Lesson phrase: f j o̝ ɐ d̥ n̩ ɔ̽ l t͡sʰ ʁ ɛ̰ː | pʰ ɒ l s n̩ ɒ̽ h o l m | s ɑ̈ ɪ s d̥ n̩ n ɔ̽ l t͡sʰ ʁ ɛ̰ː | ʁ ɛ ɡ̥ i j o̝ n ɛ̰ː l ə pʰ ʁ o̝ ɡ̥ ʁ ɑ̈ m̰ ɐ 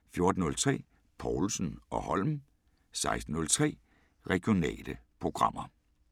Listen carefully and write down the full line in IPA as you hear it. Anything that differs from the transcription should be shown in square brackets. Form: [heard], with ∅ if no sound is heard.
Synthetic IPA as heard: f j o̝ ɐ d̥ n̩ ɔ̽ l t͡sʰ ʁ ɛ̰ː | pʰ ɒ l s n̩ ɒ̽ h [ɒ] l m | s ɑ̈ ɪ s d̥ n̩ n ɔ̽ l t͡sʰ ʁ ɛ̰ː | ʁ ɛ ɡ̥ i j o̝ n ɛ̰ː l ə pʰ ʁ o̝ ɡ̥ ʁ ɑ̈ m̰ ɐ